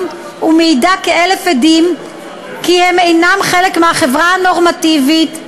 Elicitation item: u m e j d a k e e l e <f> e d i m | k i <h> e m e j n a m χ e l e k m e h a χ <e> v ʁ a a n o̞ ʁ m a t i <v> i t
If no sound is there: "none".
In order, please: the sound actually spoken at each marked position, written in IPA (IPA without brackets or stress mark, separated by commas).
f, h, e, v